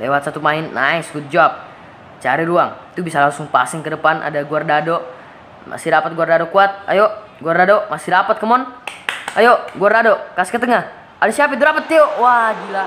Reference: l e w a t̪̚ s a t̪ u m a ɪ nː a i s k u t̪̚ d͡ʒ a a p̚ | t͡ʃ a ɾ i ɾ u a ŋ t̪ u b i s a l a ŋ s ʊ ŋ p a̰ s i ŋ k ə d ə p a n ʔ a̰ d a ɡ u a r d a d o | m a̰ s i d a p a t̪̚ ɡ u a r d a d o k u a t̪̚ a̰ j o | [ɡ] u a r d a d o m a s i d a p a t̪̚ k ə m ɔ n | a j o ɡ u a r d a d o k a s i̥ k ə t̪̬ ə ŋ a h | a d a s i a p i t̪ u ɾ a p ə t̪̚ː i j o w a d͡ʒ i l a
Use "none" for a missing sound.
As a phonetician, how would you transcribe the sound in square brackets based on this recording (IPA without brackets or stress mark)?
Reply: ɡ